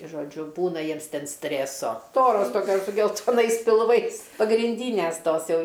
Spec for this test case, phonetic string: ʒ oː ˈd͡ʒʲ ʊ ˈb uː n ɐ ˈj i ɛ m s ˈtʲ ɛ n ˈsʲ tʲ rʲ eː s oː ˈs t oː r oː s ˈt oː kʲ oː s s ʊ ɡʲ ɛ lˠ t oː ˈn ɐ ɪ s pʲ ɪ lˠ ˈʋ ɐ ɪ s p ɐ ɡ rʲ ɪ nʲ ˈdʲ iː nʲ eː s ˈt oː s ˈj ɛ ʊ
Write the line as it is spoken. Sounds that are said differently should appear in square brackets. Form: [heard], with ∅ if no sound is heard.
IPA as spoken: ʒ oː ˈd͡ʒʲ ʊ ˈb uː n ɐ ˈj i ɛ m s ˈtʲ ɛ n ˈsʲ tʲ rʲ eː s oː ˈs t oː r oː s ˈt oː kʲ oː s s ʊ ɡʲ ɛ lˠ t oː ˈn ɐ ɪ s pʲ ɪ lˠ ˈʋ ɐ ɪ s p ɐ ɡ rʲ ɪ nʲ ˈdʲ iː nʲ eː s ˈt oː s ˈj ɛ ʊ